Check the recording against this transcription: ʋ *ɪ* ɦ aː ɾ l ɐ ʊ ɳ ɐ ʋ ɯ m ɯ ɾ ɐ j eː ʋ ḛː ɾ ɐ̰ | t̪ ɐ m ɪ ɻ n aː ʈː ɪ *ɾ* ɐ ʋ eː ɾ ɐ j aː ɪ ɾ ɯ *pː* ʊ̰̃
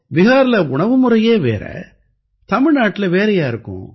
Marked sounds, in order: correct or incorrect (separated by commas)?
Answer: correct, incorrect, incorrect